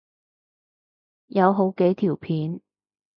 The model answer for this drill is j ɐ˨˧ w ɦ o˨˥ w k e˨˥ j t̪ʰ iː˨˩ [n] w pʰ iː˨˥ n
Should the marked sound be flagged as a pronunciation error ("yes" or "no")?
yes